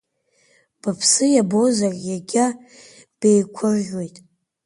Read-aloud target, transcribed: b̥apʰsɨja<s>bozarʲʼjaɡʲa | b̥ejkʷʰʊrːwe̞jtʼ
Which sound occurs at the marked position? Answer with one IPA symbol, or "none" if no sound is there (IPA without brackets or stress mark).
none